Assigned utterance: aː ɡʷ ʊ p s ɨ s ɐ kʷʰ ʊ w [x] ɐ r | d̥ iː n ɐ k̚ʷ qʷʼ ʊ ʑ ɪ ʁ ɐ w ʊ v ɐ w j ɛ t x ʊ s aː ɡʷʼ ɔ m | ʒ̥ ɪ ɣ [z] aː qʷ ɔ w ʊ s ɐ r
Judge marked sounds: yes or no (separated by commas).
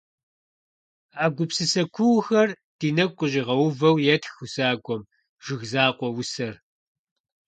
yes, yes